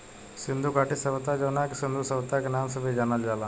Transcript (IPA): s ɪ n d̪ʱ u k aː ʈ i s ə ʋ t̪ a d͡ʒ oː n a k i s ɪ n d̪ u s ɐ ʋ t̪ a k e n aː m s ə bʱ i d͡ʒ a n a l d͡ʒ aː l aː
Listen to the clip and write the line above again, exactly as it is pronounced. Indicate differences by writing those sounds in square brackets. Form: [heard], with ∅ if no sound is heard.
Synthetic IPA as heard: s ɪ n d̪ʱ u k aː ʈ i s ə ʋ t̪ a d͡ʒ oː n a k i s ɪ n d̪ u s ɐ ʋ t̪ a k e n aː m s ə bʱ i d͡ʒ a n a l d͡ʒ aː l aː